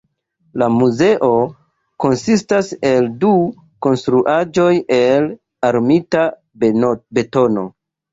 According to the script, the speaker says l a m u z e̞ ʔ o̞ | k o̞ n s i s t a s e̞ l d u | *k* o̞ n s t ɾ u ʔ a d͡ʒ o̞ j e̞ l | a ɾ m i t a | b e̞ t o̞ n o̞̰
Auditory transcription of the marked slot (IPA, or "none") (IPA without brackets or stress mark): k